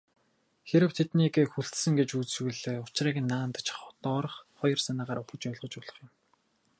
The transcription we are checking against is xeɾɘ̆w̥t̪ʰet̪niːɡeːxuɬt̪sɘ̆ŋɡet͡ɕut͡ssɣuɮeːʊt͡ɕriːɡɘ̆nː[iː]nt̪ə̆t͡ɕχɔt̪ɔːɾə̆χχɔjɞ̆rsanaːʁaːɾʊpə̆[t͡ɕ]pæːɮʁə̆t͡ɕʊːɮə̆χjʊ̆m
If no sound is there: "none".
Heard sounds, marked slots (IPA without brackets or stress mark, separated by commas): aː, t͡ɕ